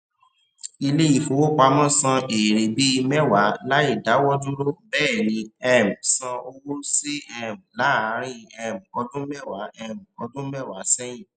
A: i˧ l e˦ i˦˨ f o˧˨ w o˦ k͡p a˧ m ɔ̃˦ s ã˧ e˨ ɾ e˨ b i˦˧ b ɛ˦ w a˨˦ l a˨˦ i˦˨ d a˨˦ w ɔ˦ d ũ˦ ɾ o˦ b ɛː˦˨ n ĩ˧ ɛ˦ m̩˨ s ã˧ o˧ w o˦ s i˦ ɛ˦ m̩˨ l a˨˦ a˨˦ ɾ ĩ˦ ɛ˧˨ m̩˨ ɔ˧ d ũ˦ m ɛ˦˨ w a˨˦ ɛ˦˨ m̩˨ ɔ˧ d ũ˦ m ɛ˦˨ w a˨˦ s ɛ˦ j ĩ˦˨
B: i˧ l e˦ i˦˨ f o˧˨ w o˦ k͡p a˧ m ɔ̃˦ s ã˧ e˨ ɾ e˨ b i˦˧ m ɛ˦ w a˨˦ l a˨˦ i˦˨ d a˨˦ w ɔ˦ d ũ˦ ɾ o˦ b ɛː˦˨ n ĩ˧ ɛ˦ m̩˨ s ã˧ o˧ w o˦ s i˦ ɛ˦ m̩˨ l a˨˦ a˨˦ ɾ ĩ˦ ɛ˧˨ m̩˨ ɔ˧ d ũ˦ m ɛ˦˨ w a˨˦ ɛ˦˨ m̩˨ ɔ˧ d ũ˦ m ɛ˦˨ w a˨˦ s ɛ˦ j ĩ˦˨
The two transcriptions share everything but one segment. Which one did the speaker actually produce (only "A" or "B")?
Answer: B